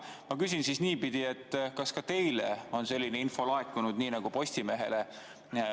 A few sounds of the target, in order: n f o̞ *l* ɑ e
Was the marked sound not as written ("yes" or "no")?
no